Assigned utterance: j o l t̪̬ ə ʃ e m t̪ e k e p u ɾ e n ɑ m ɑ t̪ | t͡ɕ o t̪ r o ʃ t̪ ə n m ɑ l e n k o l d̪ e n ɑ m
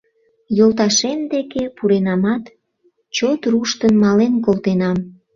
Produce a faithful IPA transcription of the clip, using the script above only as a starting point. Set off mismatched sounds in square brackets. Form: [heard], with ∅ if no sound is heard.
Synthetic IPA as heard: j o l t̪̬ [ɑ] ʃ e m [d̪] e k e p u ɾ e n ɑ m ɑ t̪ | t͡ɕ o t̪ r [u] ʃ t̪ ə n m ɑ l e n k o l [t̪] e n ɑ m